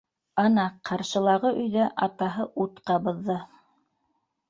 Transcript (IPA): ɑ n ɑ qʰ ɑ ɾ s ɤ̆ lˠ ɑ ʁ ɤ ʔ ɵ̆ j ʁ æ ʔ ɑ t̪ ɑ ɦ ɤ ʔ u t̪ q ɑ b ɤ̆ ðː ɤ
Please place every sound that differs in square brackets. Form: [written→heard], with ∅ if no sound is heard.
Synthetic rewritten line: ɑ n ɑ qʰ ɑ ɾ [s→ʃ] ɤ̆ lˠ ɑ ʁ ɤ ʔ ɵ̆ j [ʁ→ð] æ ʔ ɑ t̪ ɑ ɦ ɤ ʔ u t̪ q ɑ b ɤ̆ ðː ɤ